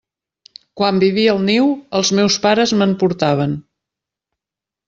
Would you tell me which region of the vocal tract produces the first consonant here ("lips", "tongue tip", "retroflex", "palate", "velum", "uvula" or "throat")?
velum